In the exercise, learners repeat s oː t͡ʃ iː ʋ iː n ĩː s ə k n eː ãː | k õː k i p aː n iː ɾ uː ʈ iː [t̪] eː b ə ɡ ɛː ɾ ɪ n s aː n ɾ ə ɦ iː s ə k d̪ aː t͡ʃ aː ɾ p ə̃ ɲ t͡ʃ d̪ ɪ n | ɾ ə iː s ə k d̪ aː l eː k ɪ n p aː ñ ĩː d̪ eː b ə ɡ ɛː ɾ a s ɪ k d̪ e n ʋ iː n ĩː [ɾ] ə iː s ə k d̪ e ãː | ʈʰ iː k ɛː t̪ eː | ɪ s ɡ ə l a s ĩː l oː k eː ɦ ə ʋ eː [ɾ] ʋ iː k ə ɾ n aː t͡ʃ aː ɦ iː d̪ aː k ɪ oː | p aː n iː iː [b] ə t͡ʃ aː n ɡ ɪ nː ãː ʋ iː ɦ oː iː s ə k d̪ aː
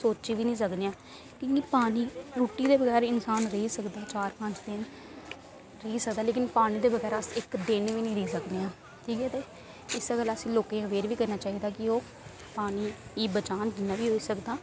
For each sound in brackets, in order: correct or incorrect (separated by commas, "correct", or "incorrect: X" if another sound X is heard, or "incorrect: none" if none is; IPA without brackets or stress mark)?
incorrect: d̪, correct, correct, correct